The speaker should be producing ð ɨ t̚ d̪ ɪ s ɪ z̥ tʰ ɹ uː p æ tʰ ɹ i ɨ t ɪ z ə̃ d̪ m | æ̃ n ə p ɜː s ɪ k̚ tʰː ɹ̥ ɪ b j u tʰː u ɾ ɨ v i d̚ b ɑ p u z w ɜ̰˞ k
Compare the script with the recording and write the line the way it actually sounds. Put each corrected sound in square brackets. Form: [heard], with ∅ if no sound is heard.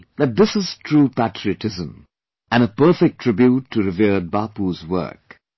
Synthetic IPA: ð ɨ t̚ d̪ ɪ s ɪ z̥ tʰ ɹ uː p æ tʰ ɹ i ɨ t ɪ z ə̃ [∅] m | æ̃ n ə p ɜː [f] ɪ k̚ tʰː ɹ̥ ɪ b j u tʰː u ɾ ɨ v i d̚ b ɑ p u z w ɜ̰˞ k